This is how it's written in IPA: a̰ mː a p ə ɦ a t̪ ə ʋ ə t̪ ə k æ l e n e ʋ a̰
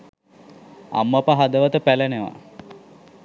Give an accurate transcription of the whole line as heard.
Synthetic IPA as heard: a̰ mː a p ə ɦ a d̪ ə ʋ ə t̪ ə p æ l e n e ʋ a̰